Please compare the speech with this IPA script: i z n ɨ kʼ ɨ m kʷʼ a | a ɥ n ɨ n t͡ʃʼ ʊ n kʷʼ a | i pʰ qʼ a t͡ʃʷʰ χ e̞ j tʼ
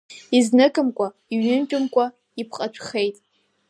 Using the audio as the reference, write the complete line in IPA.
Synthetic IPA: i z n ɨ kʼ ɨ m kʷʼ a | i ɥ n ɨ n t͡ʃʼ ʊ m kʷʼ a | i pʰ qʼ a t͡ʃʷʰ χ e̞ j tʼ

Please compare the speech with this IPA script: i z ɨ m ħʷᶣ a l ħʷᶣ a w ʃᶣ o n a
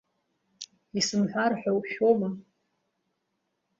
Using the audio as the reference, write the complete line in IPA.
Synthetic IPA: i s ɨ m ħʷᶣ a r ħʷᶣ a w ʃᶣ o m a

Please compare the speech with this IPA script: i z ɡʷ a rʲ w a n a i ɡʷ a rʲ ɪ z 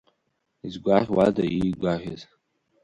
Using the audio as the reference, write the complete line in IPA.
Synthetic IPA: i z ɡʷ a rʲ w a d a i ɡʷ a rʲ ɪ z

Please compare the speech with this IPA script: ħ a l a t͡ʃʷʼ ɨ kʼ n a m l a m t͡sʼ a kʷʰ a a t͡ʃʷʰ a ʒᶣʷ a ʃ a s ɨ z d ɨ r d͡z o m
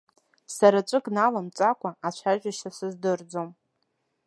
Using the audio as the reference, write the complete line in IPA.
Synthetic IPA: s a ɾ a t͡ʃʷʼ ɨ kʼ n a l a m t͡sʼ a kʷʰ a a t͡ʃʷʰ a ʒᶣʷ a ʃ a s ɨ z d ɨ r d͡z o m

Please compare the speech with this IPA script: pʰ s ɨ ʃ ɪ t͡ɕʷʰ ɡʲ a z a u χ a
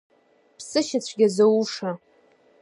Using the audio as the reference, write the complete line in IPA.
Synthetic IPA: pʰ s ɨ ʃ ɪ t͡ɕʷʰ ɡʲ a z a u ʂ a

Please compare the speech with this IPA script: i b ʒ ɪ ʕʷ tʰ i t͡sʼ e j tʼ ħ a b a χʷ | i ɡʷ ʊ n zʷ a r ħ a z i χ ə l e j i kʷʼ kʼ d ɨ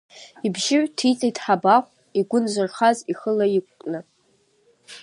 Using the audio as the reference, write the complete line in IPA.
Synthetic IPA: i b ʒ ɪ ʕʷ tʰ i t͡sʼ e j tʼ ħ a b a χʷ | i ɡʷ ʊ n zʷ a r χ a z i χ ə l a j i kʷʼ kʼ n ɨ

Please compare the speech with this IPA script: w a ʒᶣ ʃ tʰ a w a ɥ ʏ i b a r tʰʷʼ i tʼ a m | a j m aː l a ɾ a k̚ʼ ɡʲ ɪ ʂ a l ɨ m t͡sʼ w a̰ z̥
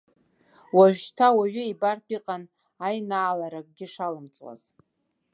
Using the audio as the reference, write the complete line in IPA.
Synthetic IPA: w a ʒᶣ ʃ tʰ a w a ɥ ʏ i b a r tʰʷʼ i qʼ a n | a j n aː l a ɾ a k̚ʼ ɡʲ ɪ ʂ a l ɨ m t͡sʼ w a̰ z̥

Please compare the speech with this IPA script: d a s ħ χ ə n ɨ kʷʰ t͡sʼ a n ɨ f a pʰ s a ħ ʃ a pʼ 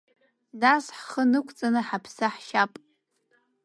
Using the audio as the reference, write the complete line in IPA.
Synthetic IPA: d a s ħ χ ə n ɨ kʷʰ t͡sʼ a n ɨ ħ a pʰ s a ħ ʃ a pʼ

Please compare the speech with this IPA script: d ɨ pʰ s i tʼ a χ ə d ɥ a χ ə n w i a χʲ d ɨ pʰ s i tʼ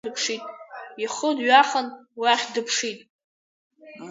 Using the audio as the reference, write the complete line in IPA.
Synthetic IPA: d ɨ pʰ ʂ i tʼ i χ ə d ɥ a χ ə n w i a χʲ d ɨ pʰ ʂ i tʼ

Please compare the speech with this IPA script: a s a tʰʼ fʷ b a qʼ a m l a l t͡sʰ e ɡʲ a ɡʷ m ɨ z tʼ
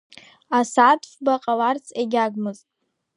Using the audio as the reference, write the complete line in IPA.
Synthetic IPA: a s a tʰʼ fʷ b a qʼ a l a r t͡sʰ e ɡʲ a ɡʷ m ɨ z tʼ

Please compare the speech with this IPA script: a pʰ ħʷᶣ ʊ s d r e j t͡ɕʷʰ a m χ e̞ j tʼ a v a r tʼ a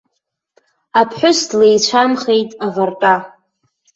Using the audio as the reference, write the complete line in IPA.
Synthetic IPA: a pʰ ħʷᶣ ʊ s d l e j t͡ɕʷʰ a m χ e̞ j tʼ a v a r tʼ a

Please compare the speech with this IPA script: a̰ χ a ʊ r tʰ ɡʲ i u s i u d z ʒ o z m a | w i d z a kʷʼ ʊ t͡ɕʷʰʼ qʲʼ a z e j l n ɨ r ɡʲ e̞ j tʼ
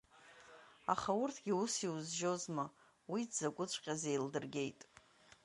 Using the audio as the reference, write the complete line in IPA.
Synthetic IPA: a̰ χ a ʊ r tʰ ɡʲ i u s i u z ʒ o z m a | w i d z a kʷʼ ʊ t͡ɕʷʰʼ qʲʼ a z e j l d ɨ r ɡʲ e̞ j tʼ

